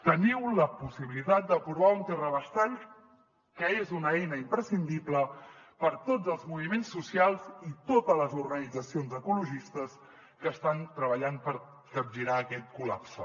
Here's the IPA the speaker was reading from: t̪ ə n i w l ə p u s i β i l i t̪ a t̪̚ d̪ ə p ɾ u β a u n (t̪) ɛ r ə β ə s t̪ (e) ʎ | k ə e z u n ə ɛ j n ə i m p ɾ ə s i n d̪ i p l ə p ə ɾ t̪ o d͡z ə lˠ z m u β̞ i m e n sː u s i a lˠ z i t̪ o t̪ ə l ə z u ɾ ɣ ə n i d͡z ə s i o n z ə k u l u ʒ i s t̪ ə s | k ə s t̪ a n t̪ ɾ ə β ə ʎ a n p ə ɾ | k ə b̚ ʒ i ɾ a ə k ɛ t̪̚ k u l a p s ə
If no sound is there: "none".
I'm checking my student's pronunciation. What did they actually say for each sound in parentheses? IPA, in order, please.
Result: t̪, a

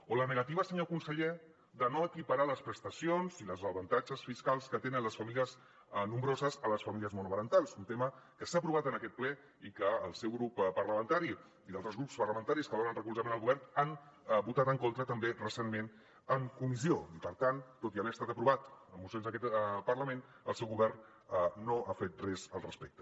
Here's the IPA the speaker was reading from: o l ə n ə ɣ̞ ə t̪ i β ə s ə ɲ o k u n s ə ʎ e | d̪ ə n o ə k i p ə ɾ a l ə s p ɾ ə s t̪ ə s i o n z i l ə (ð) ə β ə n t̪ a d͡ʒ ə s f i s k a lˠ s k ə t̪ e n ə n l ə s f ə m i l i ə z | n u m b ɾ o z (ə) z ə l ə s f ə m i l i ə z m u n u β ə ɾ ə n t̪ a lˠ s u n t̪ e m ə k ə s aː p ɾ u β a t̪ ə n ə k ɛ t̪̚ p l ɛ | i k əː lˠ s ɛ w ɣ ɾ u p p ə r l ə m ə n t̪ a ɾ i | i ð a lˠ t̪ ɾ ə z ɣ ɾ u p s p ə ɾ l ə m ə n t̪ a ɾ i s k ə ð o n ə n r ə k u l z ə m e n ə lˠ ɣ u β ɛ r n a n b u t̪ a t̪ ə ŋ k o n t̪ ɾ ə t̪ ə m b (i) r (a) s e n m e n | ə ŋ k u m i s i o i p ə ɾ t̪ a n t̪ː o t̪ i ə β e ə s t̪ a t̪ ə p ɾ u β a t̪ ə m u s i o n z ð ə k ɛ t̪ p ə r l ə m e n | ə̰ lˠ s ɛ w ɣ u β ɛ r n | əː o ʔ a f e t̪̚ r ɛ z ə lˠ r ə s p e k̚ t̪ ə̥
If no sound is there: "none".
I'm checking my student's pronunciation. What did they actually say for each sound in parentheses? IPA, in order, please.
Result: z, ə, e, ə

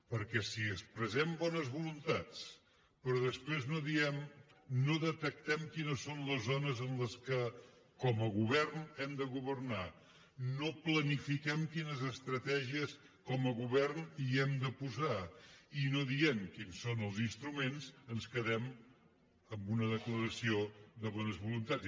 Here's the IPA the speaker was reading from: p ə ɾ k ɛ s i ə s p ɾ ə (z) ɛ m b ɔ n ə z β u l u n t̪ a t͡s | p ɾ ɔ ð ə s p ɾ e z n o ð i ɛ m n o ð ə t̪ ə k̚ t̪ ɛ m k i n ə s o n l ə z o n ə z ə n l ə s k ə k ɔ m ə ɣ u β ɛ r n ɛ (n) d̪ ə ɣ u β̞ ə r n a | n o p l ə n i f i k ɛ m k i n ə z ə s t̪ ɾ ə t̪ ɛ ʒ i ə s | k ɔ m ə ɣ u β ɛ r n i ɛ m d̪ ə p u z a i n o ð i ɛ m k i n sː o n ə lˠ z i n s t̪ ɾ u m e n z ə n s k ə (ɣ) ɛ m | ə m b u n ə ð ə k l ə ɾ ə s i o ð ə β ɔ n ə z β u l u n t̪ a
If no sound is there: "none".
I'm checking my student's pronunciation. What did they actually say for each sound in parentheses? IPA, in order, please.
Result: z, m, ð

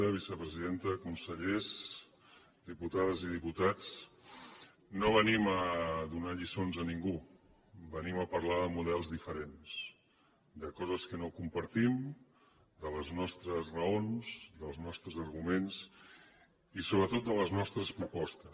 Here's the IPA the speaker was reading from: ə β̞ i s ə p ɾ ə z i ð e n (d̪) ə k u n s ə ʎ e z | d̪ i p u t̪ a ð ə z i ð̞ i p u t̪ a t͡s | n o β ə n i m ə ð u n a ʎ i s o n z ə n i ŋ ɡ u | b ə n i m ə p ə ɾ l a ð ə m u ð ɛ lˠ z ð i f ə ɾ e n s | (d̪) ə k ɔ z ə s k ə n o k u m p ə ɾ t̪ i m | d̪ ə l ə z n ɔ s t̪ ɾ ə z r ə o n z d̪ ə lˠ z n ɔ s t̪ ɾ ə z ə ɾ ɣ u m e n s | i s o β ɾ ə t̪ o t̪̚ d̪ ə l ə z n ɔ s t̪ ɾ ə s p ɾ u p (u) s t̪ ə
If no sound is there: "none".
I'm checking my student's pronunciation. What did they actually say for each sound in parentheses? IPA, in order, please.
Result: t̪, d̪, ɔ

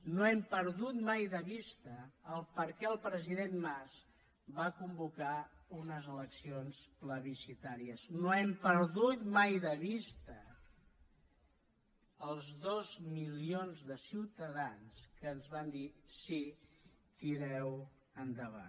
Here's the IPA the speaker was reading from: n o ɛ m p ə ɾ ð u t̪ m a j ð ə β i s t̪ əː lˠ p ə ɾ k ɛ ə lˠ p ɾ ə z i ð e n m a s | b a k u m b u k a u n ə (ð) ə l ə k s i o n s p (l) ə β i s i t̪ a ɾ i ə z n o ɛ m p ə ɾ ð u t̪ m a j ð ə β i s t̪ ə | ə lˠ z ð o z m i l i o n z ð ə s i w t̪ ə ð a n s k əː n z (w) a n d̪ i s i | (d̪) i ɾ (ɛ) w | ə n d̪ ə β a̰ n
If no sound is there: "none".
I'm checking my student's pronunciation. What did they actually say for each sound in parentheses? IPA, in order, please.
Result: z, l, β, t̪, ɛ

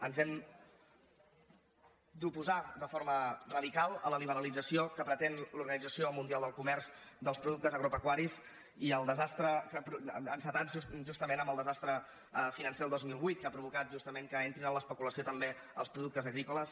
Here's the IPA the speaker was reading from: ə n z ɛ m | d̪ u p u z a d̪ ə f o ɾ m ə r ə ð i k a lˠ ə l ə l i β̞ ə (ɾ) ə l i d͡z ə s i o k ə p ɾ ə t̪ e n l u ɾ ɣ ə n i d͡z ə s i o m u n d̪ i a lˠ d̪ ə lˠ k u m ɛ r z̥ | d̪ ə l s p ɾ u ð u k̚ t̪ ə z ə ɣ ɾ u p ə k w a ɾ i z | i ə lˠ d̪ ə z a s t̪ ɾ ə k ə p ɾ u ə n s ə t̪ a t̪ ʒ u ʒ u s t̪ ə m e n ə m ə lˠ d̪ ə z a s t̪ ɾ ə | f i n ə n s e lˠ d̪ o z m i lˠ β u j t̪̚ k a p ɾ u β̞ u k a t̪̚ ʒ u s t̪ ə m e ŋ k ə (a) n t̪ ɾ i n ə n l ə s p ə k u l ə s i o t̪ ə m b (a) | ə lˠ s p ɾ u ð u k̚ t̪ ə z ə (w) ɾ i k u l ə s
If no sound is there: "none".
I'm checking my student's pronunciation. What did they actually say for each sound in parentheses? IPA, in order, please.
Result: ɾ, e, e, ɣ

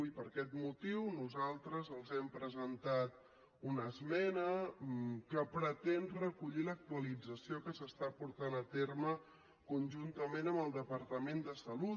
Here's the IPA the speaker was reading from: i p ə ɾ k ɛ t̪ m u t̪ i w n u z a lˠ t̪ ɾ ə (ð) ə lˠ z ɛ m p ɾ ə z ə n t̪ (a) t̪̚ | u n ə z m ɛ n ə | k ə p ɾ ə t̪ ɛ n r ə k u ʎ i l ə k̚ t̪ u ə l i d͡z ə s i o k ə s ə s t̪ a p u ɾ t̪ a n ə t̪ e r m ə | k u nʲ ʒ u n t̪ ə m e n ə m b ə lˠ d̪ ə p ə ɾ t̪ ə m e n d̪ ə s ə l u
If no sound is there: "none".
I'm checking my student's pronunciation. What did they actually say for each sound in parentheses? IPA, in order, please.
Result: z, a

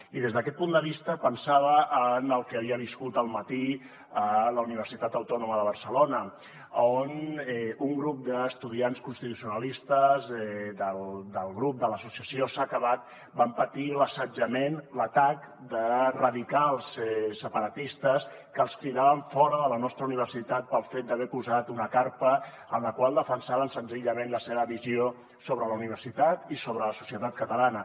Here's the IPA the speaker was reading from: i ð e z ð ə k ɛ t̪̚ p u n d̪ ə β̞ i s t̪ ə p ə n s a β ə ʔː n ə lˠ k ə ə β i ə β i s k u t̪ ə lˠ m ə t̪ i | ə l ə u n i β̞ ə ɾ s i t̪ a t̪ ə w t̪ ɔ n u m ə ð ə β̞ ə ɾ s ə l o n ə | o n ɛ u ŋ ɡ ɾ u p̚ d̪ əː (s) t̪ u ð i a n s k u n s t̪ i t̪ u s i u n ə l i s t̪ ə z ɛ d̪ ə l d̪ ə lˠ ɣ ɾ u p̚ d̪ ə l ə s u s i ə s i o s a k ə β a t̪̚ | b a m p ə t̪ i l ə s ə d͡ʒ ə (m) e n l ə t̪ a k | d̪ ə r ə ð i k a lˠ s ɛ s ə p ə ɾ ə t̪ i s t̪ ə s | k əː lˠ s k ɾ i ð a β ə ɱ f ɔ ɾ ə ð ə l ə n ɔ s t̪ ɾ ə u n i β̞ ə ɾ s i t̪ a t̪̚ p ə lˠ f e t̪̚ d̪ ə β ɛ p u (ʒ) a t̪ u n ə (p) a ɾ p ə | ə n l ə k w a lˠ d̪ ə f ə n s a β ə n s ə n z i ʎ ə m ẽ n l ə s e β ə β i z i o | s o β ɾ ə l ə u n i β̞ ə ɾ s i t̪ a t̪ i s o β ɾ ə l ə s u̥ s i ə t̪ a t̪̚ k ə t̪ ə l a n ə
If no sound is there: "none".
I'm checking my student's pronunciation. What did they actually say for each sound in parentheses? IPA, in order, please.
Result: s, m, z, k

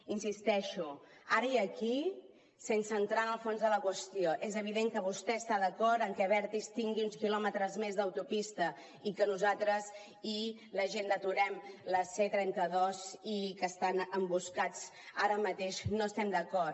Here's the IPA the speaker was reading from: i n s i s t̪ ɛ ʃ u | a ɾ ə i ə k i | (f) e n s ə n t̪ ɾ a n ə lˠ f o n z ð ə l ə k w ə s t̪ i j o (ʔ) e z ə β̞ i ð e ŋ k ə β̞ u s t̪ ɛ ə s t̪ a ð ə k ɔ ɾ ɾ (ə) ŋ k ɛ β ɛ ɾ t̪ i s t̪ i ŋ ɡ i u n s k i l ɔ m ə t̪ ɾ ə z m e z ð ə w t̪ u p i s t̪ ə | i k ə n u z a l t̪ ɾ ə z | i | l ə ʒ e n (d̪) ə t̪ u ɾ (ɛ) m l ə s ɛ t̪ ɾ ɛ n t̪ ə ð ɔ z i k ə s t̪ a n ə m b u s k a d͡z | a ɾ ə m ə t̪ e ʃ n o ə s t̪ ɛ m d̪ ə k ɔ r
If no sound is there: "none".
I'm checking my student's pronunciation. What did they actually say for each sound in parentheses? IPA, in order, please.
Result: s, ʔ, ə, d̪, ɛ

